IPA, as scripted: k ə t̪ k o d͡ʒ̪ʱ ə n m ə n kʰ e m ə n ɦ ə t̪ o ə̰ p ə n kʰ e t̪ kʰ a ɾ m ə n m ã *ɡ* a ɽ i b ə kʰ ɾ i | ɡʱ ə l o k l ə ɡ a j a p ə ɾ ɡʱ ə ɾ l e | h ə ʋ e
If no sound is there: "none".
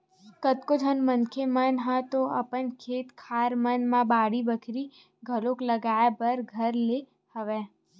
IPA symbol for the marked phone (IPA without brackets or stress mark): b